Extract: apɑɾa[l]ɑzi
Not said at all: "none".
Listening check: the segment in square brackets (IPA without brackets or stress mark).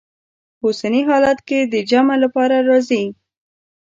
ɾ